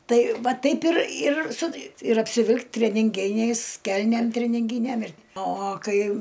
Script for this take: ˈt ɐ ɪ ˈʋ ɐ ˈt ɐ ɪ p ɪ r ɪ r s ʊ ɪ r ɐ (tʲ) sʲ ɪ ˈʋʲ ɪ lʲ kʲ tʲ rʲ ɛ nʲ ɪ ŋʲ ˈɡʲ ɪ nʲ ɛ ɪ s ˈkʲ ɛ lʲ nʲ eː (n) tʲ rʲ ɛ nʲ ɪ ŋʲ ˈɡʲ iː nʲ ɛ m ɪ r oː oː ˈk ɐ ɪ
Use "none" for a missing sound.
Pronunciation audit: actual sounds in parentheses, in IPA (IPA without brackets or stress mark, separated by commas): pʲ, m